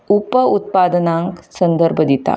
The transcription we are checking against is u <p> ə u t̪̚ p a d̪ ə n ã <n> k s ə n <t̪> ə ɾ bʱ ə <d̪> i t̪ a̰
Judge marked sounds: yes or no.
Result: yes, no, no, yes

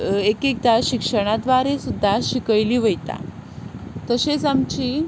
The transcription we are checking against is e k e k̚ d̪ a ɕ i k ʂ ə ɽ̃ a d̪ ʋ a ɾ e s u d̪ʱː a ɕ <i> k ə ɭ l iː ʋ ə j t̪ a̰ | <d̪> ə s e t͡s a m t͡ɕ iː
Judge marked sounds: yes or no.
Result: yes, no

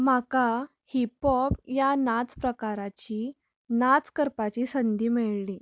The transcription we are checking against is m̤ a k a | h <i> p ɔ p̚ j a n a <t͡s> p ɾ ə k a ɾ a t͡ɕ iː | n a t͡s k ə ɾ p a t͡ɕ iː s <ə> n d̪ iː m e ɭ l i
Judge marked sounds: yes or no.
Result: yes, yes, yes

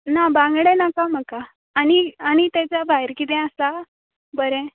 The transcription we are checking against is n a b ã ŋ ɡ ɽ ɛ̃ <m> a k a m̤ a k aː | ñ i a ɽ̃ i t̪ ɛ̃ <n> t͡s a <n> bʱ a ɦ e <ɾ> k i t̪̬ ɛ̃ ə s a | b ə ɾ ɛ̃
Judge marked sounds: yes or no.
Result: no, no, no, yes

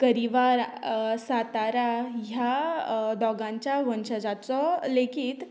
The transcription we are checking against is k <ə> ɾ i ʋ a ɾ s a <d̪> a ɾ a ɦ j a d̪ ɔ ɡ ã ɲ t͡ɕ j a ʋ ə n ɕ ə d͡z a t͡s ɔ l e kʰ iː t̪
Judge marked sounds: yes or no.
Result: yes, no

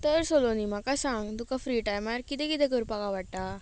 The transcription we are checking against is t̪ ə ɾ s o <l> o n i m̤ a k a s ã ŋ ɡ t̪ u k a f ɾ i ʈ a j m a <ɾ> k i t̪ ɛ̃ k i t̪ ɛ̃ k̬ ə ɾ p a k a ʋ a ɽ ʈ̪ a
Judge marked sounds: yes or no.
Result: yes, yes

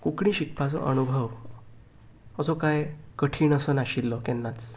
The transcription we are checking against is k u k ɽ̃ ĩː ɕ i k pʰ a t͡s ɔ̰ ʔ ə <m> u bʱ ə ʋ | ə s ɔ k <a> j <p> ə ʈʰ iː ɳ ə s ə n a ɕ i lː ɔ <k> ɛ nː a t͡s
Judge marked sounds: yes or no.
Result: no, yes, no, yes

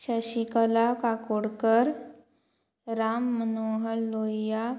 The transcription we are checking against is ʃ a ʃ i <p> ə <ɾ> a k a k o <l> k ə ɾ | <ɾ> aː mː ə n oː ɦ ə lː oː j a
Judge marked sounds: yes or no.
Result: no, no, no, yes

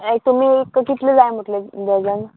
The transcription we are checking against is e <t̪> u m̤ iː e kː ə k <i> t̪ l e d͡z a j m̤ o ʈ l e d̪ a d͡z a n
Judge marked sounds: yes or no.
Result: yes, yes

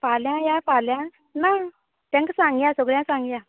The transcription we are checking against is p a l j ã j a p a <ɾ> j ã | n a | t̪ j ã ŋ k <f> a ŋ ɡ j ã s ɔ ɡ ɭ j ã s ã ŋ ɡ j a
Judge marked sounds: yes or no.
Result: no, no

